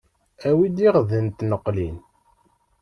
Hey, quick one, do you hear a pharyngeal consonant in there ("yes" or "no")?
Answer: no